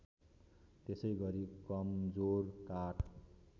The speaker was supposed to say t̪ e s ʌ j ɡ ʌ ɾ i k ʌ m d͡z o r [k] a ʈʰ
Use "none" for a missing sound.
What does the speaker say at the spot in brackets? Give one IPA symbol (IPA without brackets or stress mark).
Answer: k